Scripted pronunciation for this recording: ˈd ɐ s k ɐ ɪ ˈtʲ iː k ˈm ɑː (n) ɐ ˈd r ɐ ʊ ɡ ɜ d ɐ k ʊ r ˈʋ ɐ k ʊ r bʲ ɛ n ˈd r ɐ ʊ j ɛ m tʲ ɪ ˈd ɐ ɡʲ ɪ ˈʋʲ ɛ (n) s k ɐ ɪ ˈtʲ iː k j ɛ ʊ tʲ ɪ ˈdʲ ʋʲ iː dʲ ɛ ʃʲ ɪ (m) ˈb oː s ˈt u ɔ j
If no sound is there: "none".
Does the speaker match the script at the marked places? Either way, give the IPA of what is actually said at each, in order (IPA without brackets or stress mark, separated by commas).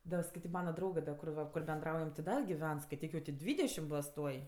n, n, m